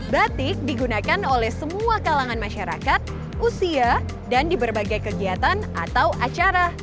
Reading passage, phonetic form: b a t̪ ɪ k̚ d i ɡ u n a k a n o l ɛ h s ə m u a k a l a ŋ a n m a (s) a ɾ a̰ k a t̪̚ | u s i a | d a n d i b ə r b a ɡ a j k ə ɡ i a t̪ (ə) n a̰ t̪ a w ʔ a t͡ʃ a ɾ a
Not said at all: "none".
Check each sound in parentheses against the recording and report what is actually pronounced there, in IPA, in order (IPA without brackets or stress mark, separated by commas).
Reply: ʃ, a